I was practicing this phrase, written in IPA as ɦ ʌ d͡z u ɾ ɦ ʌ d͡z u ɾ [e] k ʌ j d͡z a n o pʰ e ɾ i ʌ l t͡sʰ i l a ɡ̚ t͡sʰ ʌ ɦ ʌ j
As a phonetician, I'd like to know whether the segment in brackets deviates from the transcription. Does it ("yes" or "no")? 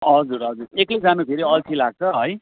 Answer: no